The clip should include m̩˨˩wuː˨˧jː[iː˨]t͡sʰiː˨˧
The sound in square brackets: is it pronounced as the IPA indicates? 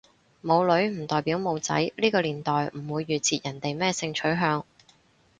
no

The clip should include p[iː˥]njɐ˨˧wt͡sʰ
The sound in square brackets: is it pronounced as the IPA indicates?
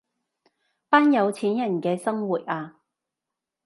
no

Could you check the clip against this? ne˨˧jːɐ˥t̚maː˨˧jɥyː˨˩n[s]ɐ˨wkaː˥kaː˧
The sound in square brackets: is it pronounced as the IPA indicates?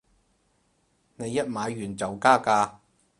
no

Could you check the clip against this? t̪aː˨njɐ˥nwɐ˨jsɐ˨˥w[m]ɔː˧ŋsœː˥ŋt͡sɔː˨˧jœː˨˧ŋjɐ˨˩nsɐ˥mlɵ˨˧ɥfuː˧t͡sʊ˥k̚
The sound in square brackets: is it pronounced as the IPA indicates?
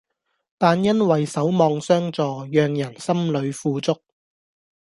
yes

